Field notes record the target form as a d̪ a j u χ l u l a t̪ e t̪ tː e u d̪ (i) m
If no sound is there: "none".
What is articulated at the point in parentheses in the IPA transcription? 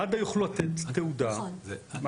a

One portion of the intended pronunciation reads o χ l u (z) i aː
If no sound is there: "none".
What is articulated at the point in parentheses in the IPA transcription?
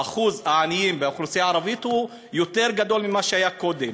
s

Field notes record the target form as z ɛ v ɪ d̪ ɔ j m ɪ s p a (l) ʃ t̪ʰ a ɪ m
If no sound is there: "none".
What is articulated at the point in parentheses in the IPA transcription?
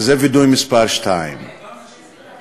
ɾ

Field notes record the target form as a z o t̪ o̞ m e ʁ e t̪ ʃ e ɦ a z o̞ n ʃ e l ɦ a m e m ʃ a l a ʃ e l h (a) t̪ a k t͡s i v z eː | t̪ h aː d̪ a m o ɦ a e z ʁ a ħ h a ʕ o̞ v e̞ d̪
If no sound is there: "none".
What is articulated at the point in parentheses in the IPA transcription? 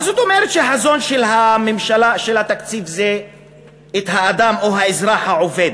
a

